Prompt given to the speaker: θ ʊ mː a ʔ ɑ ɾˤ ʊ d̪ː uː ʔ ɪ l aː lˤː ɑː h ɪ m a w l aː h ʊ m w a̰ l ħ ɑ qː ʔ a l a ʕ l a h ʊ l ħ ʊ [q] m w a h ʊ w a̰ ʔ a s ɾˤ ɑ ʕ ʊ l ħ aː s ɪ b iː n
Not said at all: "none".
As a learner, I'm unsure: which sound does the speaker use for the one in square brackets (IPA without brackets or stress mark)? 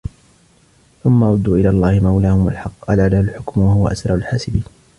k